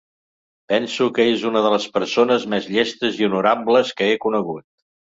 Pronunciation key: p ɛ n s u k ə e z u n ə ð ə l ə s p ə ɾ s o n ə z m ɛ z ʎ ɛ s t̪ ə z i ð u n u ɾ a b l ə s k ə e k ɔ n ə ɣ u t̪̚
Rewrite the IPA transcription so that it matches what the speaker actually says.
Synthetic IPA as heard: p ɛ n s u k ə e z u n ə ð ə l ə s p ə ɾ s o n ə z m ɛ z ʎ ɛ s t̪ ə z i u n u ɾ a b l ə s k ə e k u n ə ɣ u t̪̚